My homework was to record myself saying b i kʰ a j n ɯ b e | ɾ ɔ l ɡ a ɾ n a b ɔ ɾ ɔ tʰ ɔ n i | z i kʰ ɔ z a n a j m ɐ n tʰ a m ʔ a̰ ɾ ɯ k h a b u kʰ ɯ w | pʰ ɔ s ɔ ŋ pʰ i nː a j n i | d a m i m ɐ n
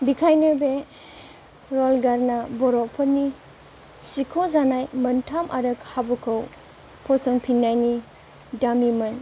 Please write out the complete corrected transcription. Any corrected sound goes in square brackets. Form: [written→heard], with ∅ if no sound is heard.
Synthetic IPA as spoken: b i kʰ a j n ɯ b e | ɾ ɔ l ɡ a ɾ n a b ɔ ɾ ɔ [tʰ→pʰ] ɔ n i | [z→s] i kʰ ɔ z a n a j m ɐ n tʰ a m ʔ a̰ ɾ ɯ k h a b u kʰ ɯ w | pʰ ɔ s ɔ ŋ pʰ i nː a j n i | d a m i m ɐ n